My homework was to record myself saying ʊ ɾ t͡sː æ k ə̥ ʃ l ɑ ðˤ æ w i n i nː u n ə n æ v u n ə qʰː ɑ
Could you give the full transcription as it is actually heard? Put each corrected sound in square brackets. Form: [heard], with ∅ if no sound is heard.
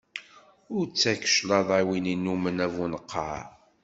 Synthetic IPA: ʊ ɾ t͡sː æ k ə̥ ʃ l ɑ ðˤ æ w i n i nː u [m] ə n æ v u n ə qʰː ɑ